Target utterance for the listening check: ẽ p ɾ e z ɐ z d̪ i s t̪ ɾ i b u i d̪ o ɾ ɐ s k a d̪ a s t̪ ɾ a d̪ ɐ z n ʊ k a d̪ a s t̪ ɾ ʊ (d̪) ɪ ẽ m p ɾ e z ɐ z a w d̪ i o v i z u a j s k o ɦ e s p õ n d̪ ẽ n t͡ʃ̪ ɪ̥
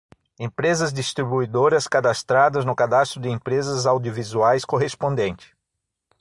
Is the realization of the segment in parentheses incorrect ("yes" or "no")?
no